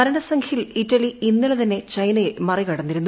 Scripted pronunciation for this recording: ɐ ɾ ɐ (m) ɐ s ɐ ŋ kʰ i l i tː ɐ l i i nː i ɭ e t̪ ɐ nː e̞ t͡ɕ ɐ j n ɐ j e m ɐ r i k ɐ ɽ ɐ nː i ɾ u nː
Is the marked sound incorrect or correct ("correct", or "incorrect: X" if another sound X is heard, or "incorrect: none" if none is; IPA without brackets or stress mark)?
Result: incorrect: ɳ